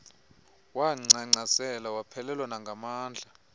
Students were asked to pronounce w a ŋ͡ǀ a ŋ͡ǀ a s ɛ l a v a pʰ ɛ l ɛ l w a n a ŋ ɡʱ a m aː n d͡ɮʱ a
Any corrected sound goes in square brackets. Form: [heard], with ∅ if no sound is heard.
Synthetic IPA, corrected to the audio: w a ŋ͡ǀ a ŋ͡ǀ a s ɛ l a [w] a pʰ ɛ l ɛ l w a n a ŋ ɡʱ a m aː n d͡ɮʱ a